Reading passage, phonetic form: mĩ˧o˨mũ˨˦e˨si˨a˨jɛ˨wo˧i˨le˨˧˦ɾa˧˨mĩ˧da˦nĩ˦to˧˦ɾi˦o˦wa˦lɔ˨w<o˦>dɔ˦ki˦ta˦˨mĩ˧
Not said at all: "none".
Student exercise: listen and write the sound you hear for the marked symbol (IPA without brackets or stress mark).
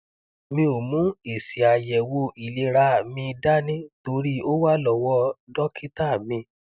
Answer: ɔ˦